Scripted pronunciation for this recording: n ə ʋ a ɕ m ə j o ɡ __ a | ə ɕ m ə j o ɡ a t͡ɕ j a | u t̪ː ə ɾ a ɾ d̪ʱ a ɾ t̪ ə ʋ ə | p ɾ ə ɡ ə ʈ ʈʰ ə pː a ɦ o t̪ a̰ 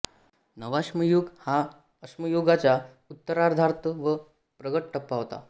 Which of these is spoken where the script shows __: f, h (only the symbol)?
h